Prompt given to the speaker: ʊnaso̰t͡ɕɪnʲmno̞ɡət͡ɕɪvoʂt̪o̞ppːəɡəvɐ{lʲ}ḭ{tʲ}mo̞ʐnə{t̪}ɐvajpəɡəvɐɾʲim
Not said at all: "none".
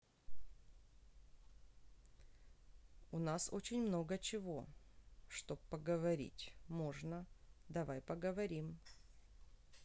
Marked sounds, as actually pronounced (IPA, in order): ɾʲ, tʲ, d̪

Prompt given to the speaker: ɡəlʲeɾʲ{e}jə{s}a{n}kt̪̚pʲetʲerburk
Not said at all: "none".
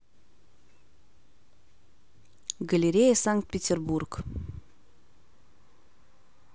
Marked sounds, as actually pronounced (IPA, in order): e, s, ŋ

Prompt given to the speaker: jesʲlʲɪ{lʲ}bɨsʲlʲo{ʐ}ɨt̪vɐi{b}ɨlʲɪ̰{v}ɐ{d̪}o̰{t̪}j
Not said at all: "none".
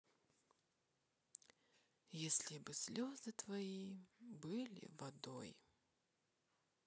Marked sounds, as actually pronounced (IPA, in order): none, z, b, v, d̪, none

